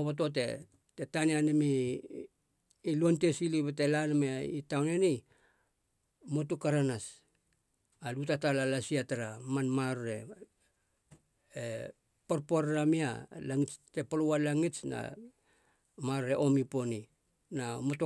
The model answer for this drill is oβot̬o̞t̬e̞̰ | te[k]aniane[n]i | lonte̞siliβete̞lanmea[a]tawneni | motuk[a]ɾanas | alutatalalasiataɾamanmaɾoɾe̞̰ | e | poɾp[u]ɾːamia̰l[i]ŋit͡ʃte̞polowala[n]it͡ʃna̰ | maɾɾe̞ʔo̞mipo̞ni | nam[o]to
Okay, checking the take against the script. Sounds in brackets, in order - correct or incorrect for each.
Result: incorrect: t, incorrect: m, incorrect: i, correct, incorrect: o, incorrect: a, incorrect: ŋ, correct

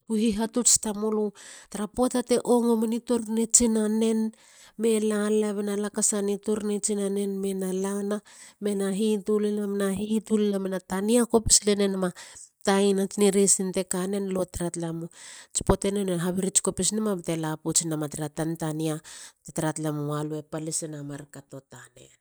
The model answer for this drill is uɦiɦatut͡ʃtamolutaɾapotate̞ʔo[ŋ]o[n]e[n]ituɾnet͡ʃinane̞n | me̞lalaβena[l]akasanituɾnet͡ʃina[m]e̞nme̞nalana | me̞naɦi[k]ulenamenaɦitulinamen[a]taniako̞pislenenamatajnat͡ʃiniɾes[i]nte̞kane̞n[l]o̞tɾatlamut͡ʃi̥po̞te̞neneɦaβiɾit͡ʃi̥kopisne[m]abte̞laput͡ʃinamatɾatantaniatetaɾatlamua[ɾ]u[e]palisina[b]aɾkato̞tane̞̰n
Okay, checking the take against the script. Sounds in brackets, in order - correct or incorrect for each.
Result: correct, incorrect: m, correct, correct, incorrect: n, incorrect: t, correct, correct, correct, correct, incorrect: l, correct, incorrect: m

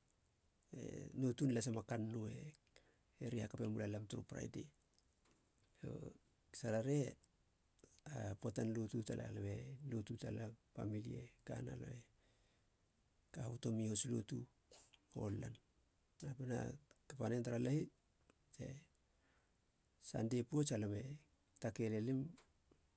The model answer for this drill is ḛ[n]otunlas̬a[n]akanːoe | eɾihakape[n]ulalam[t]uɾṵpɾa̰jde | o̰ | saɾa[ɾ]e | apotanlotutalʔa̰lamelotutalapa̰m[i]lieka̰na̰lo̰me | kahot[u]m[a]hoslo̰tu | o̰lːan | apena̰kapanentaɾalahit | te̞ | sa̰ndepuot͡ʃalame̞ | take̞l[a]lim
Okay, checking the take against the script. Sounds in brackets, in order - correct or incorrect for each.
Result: correct, incorrect: m, incorrect: m, correct, correct, correct, incorrect: o, incorrect: i, incorrect: e

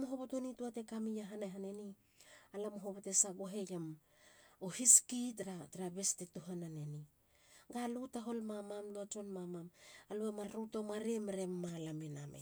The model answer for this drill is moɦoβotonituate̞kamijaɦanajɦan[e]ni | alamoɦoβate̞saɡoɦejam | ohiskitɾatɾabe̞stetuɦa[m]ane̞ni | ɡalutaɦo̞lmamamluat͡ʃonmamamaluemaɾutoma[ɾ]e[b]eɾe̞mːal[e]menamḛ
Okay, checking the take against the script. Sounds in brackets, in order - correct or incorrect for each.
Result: correct, incorrect: n, correct, incorrect: m, incorrect: a

